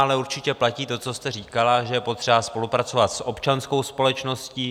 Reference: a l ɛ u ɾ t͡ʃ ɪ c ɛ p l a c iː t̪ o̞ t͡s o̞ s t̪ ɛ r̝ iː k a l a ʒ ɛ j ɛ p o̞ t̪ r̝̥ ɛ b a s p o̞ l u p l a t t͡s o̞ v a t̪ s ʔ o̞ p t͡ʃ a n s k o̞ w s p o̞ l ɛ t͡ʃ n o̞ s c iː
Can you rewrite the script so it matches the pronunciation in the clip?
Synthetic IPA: a l ɛ u ɾ t͡ʃ ɪ c ɛ p l a c iː t̪ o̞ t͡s o̞ s t̪ ɛ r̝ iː k a l a ʒ ɛ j ɛ p o̞ t̪ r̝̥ ɛ b a s p o̞ l u p ɾ a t t͡s o̞ v a t̪ s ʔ o̞ p t͡ʃ a n s k o̞ w s p o̞ l ɛ t͡ʃ n o̞ s c iː